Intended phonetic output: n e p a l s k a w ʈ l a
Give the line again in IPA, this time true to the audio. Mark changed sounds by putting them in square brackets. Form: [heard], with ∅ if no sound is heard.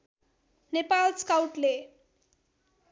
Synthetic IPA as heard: n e p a l s k a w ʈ l [e]